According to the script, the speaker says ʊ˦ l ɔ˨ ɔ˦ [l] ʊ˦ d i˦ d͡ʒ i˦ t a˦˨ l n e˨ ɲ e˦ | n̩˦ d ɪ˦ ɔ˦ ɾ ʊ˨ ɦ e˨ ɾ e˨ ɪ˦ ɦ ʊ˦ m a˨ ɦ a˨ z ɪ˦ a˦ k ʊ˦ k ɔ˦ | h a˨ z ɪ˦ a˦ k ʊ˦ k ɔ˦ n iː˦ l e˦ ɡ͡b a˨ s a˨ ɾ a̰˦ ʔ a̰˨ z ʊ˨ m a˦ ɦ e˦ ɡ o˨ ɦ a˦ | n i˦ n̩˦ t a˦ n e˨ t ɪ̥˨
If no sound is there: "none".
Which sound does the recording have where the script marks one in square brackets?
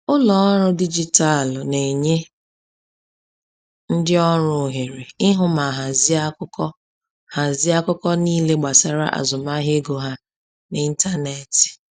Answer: ɾ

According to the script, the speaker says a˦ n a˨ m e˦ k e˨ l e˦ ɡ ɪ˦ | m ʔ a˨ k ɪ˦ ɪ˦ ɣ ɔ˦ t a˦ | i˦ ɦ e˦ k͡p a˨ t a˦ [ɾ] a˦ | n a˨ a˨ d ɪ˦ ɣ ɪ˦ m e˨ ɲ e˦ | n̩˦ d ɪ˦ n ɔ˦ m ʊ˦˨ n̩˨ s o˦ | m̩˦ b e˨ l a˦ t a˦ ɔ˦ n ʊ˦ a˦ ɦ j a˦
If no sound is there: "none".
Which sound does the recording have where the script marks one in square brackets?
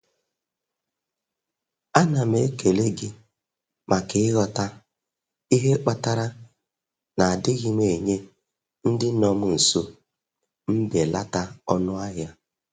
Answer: ɾ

